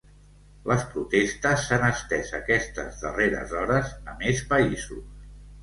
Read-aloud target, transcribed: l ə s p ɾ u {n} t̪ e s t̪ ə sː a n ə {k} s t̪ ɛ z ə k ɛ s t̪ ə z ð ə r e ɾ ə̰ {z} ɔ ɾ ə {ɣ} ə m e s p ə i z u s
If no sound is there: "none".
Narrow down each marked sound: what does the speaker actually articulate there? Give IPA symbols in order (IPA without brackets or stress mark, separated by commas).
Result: none, none, z, z